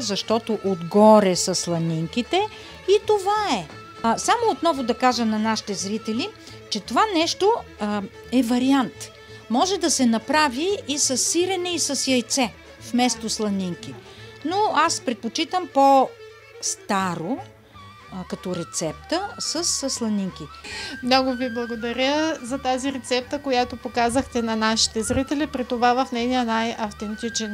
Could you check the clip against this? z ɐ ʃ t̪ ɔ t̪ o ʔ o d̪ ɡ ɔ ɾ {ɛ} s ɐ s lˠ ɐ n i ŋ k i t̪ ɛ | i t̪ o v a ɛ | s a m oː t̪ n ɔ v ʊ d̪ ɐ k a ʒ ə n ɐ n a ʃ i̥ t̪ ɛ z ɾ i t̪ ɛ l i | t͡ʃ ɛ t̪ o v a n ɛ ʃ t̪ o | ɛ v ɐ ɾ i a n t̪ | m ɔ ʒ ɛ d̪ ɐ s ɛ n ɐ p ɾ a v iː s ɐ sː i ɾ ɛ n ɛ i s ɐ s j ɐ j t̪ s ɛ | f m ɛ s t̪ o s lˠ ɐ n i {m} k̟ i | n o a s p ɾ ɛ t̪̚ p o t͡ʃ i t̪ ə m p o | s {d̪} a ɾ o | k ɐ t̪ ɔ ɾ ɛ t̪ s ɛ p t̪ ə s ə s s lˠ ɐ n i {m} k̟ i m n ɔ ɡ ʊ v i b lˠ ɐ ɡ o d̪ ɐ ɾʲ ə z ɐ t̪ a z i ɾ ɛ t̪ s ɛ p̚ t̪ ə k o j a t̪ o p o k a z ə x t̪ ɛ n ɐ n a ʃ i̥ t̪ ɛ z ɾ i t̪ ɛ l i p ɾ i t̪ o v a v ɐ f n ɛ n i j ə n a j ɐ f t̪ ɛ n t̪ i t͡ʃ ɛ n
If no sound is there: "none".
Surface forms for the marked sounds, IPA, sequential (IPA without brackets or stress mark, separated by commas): ɛ, ŋ, t̪, ŋ